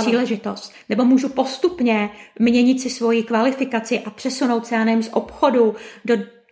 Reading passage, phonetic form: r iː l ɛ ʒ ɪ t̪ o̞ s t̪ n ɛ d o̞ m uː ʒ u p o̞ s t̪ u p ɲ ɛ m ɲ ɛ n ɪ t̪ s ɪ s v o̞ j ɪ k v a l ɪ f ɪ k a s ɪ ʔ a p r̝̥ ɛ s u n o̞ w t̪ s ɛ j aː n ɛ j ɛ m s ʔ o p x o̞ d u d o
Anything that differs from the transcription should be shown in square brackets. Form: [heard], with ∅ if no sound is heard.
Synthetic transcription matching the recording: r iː l ɛ ʒ ɪ t̪ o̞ s t̪ n ɛ [b] o̞ m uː ʒ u p o̞ s t̪ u p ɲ ɛ m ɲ ɛ [ɲ] ɪ t̪ s ɪ s v o̞ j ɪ k v a l ɪ f ɪ k a [t͡s] ɪ ʔ a p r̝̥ ɛ s u n o̞ w t̪ s ɛ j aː n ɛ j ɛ m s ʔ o p x o̞ d u d o